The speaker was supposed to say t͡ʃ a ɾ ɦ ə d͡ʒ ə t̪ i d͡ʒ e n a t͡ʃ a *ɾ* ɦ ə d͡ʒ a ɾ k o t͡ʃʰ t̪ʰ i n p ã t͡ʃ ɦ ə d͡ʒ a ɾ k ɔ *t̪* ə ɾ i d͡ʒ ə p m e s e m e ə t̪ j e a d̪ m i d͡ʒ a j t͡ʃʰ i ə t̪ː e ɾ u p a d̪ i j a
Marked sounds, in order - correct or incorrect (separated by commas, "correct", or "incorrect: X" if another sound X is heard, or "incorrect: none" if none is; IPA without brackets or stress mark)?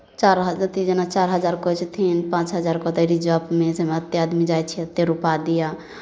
correct, correct